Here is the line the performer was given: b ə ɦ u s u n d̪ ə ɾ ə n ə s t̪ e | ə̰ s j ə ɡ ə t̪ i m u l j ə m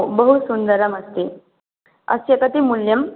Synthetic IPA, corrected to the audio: b ə ɦ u s u n d̪ ə ɾ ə m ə s t̪ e | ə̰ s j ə k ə t̪ i m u l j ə m